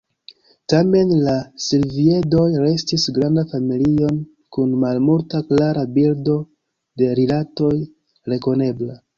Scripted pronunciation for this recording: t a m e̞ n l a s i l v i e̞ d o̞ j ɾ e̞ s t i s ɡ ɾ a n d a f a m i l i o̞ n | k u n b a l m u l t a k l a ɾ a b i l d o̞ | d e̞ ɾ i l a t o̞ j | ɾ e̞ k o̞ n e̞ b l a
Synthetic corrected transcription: t a m e̞ n l a s i l v i e̞ d o̞ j ɾ e̞ s t i s ɡ ɾ a n d a f a m i l i o̞ n | k u n m a l m u l t a k l a ɾ a b i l d o̞ | d e̞ ɾ i l a t o̞ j | ɾ e̞ k o̞ n e̞ b l a